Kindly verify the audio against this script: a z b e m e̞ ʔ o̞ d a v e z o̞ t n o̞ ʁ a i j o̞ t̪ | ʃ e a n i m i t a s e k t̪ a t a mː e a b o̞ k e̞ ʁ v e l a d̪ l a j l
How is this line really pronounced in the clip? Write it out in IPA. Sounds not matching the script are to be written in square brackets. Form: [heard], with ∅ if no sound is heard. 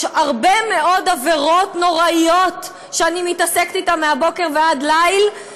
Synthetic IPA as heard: a [ʁ] b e m e̞ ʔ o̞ d a v e [ʁ] o̞ t n o̞ ʁ a i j o̞ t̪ | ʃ e a n i m i t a s e k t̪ [i] t a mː e a b o̞ k e̞ ʁ v e [∅] a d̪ l a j l

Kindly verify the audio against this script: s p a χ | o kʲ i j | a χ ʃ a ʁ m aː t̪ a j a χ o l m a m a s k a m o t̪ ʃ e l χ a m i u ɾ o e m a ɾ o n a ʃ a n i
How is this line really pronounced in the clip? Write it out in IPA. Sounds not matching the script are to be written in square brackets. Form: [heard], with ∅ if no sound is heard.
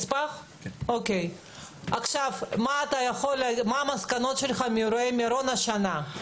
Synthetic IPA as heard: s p a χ | o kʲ [e] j | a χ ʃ a [v] m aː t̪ a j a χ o l m a m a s k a [n] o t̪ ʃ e l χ a m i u ɾ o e m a ɾ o n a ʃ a n [a]

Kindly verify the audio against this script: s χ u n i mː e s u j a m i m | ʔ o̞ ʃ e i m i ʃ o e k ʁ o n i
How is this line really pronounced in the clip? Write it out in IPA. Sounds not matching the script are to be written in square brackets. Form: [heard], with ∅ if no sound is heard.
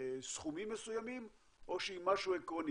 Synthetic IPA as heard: s χ u [m] i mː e s u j a m i m | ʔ o̞ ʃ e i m [a] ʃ [u] e k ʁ o n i

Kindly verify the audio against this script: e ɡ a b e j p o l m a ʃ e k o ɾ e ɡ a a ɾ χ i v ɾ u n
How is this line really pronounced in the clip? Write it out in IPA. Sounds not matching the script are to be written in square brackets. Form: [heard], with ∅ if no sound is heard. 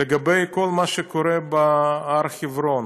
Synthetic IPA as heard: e ɡ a b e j [k] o l m a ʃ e k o ɾ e [b] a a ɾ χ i v ɾ [o] n

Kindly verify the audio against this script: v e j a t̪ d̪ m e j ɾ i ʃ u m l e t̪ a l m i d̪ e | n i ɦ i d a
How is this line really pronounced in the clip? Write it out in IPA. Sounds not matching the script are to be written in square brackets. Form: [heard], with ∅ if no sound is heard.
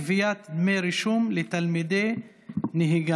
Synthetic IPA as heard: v [i] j a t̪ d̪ m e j ɾ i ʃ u m l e t̪ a l m i d̪ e | n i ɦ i [ɡ] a

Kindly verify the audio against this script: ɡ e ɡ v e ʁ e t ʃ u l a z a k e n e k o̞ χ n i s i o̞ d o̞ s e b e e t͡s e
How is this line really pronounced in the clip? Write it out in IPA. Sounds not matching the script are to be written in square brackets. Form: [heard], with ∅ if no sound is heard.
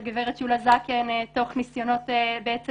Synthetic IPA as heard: ɡ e [∅] v e ʁ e t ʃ u l a z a k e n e [t] o̞ χ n i s [j] o̞ [n] o̞ [t] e b e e t͡s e

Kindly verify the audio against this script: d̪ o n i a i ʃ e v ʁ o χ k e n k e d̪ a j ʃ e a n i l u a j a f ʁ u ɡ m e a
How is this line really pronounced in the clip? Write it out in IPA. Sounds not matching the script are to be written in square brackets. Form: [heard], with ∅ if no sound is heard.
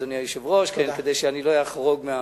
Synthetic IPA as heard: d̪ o n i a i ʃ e v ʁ o [ʃ] k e n k e d̪ [e] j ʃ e a n i l [o] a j a [χ] ʁ [o] ɡ m e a

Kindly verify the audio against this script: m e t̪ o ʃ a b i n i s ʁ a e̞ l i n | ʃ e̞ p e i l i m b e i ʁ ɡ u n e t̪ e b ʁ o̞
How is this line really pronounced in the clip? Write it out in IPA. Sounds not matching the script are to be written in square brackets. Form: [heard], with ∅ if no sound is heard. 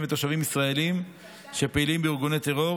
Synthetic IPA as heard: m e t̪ o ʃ a [v] i [m] i s ʁ a e̞ l i [m] | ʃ e̞ p e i l i m b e i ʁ ɡ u n e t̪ e [∅] ʁ o̞

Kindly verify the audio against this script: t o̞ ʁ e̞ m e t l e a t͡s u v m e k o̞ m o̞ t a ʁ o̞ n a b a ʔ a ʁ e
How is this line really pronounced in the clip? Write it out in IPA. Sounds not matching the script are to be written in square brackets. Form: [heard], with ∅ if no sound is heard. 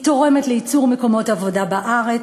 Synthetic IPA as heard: t o̞ ʁ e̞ m e t l e [i] t͡s u [ʁ] m e k o̞ m o̞ t a [v] o̞ [d] a b a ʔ a ʁ e

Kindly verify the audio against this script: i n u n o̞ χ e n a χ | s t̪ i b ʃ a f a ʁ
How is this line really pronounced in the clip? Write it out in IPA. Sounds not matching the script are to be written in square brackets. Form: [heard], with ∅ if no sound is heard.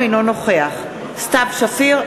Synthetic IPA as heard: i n [o] n o̞ χ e [∅] a χ | s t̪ [a] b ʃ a f [i] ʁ

